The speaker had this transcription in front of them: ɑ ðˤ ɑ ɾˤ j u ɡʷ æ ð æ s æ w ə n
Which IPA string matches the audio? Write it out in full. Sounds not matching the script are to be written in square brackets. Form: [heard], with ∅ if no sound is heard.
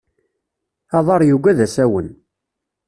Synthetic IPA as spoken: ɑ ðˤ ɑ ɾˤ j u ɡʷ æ ð æ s æ w ə n